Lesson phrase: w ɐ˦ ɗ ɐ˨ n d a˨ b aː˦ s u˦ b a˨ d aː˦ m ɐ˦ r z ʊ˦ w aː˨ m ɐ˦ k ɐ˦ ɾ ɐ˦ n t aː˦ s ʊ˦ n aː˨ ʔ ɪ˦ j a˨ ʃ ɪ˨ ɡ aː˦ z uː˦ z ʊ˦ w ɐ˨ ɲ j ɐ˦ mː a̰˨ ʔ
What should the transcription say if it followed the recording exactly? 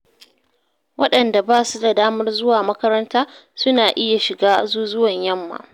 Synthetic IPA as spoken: w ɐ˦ ɗ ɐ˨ n d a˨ b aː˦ s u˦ d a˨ d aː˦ m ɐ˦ r z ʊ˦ w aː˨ m ɐ˦ k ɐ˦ ɾ ɐ˦ n t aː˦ s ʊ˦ n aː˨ ʔ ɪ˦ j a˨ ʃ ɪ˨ ɡ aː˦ z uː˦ z ʊ˦ w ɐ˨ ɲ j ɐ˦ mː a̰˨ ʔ